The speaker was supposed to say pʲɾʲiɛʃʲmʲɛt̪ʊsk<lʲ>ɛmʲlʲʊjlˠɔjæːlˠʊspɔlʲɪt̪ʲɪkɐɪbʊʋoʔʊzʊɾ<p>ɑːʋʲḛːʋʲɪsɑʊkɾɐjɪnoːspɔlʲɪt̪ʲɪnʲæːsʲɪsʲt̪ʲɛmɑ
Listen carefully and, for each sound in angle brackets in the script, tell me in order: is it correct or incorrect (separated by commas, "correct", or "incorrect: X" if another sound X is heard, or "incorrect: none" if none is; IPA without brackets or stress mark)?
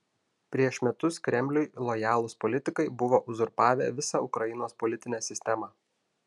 incorrect: ɾʲ, correct